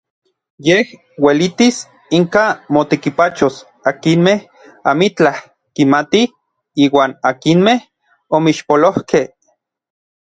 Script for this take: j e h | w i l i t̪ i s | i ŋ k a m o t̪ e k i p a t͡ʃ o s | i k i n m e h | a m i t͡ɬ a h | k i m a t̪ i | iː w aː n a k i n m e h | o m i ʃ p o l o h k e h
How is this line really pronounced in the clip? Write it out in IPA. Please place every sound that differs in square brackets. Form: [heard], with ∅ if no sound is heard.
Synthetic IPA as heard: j e h | w [e] l i t̪ i s | i ŋ k a m o t̪ e k i p a t͡ʃ o s | [a] k i n m e h | a m i t͡ɬ a h | k i m a t̪ i | iː w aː n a k i n m e h | o m i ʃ p o l o h k e h